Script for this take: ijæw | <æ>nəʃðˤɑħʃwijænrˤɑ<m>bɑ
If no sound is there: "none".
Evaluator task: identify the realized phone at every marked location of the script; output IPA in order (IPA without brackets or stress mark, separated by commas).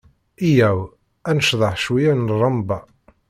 æ, m